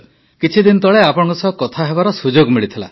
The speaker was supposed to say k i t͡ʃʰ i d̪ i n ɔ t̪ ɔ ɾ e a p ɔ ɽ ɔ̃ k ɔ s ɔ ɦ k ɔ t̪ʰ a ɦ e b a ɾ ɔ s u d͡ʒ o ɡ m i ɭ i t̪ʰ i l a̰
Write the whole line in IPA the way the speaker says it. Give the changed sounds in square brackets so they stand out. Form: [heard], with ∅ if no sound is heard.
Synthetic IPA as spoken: k i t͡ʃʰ i d̪ i n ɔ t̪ ɔ [ɭ] e a p ɔ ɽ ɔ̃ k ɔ s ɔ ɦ k ɔ t̪ʰ a ɦ e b a ɾ ɔ s u d͡ʒ o ɡ m i ɭ i t̪ʰ i l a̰